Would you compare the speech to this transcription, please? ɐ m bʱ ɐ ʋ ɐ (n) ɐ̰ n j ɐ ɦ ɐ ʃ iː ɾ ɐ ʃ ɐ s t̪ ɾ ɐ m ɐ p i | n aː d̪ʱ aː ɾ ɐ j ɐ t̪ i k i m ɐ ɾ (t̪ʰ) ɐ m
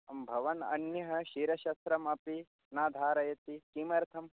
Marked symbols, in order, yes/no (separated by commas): yes, yes